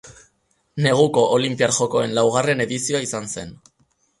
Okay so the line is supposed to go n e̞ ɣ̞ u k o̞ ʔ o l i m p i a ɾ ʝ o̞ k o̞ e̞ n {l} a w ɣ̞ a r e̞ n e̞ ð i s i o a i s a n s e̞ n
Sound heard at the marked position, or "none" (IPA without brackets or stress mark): l